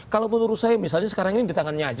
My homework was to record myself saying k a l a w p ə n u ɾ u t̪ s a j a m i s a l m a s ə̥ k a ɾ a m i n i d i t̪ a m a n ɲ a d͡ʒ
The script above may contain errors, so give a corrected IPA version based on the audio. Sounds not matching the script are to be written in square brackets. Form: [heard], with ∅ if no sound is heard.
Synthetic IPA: k a l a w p ə n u ɾ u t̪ s a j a m i s a l [ɲ] a s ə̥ k a ɾ a [ŋ] i n i d i t̪ a [ŋ] a n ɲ a d͡ʒ